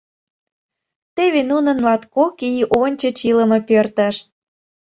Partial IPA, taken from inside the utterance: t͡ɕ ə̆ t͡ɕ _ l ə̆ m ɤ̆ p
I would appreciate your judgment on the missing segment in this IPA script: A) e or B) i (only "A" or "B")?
B